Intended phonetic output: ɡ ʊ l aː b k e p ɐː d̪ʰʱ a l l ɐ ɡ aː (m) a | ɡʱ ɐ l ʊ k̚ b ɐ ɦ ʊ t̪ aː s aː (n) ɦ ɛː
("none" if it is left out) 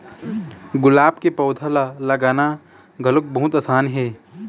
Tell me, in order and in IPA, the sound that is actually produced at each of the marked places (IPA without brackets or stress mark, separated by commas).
n, n